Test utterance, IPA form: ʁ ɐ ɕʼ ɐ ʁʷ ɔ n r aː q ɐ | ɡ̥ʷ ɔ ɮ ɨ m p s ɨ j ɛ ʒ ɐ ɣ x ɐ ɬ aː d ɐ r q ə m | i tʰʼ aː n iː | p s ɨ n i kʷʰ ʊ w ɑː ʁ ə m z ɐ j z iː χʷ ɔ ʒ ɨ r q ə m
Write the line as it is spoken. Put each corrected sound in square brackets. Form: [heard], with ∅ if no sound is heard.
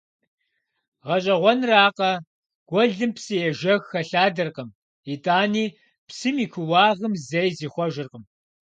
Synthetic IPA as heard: ʁ ɐ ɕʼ ɐ ʁʷ ɔ n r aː q ɐ | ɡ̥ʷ ɔ ɮ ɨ m p s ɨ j ɛ ʒ ɐ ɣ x ɐ ɬ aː d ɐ r q ə m | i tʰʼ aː n iː | p s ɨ [m] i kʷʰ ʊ w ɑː ʁ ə m z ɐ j z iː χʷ ɔ ʒ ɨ r q ə m